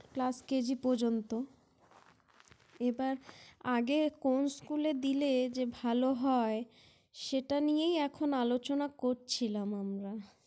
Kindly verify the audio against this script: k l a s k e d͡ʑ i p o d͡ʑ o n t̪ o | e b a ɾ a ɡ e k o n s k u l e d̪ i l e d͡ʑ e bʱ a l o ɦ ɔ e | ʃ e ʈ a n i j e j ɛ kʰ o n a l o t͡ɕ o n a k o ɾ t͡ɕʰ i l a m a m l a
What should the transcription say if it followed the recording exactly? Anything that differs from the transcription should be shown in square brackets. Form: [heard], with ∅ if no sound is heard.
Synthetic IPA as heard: k l a s k e d͡ʑ i p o d͡ʑ o n t̪ o | e b a ɾ a ɡ e k o n s k u l e d̪ i l e d͡ʑ e bʱ a l o ɦ ɔ e | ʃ e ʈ a n i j e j ɛ kʰ o n a l o t͡ɕ o n a k o ɾ t͡ɕʰ i l a m a m [ɾ] a

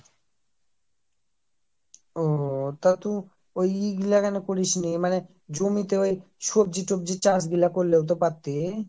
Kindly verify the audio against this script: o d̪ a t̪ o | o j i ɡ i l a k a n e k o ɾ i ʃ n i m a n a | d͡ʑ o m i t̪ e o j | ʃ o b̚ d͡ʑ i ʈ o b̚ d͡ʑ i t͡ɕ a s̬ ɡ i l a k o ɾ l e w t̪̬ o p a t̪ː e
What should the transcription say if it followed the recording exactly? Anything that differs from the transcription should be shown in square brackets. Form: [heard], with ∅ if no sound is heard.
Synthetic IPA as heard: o [t̪] a t̪ [u] | o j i ɡ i l a k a n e k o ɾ i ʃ n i m a n [e] | d͡ʑ o m i t̪ e o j | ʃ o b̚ d͡ʑ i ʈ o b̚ d͡ʑ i t͡ɕ a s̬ ɡ i l a k o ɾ l e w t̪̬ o p a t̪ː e

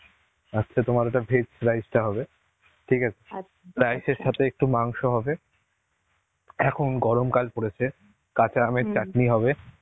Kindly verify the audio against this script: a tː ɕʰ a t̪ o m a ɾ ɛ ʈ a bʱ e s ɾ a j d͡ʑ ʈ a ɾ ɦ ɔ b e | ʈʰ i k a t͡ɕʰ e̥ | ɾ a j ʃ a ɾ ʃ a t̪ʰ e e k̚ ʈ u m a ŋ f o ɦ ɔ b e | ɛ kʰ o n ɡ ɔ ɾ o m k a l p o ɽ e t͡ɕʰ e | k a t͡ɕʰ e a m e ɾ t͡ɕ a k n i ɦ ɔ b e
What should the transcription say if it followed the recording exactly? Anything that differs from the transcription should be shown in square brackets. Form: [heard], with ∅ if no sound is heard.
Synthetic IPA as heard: a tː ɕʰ a t̪ o m a ɾ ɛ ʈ a bʱ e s ɾ a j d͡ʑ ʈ a [∅] ɦ ɔ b e | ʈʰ i k a t͡ɕʰ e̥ | ɾ a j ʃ [e] ɾ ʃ a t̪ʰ e e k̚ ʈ u m a ŋ [ʃ] o ɦ ɔ b e | ɛ kʰ o n ɡ ɔ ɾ o m k a l p o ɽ e t͡ɕʰ e | k a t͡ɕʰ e a m e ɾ t͡ɕ a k n i ɦ ɔ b e

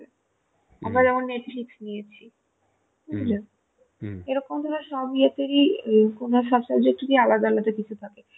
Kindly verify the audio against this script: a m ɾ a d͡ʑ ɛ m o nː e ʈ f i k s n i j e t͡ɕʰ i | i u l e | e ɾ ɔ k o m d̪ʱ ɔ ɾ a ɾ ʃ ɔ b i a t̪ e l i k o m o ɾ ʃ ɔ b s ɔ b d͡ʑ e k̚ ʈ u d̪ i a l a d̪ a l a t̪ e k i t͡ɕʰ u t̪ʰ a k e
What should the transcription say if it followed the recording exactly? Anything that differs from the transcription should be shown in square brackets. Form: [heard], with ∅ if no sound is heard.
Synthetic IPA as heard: a m ɾ a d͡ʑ ɛ m o nː e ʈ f i k s n i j e t͡ɕʰ i | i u l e | e ɾ ɔ k o m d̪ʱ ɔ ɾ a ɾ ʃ ɔ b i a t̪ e [ɾ] i k o [n] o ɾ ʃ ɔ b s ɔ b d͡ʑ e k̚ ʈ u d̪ i a l a d̪ a l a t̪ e k i t͡ɕʰ u t̪ʰ a k e

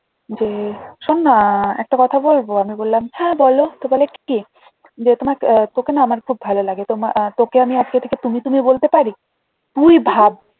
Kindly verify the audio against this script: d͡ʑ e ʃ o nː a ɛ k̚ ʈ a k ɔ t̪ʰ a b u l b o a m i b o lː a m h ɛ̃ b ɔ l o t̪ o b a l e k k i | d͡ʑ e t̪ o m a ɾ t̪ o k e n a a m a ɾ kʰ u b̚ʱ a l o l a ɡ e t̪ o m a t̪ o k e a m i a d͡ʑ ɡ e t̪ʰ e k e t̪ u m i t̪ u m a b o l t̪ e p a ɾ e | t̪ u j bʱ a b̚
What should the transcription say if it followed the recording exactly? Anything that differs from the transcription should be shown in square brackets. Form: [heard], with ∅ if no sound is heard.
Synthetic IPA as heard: d͡ʑ e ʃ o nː a ɛ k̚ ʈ a k ɔ t̪ʰ a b [o] l b o a m i b o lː a m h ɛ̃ b ɔ l o t̪ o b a l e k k i | d͡ʑ e t̪ o m a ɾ t̪ o k e n a a m a ɾ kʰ u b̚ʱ a l o l a ɡ e t̪ o m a t̪ o k e a m i a d͡ʑ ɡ e t̪ʰ e k e t̪ u m i t̪ u m [i] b o l t̪ e p a ɾ [i] | t̪ u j bʱ a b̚

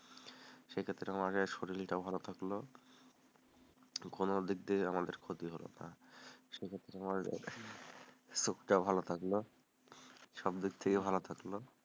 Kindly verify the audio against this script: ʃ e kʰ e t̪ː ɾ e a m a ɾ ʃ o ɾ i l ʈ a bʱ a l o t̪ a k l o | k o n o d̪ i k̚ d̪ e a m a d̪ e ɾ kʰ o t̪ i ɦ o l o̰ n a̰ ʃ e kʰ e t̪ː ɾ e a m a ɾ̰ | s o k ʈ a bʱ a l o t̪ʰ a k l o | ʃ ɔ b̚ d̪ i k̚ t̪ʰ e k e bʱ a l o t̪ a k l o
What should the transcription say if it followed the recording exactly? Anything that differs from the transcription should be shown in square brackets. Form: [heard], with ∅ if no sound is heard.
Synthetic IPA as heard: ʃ e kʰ e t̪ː ɾ e a m a ɾ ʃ o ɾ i l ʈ a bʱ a l o [t̪ʰ] a k l o | k o n o d̪ i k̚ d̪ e a m a d̪ e ɾ kʰ o t̪ i ɦ o l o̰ n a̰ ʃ e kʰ e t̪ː ɾ e a m a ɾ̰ | s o k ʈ a bʱ a l o t̪ʰ a k l o | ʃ ɔ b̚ d̪ i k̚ t̪ʰ e k e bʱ a l o [t̪ʰ] a k l o

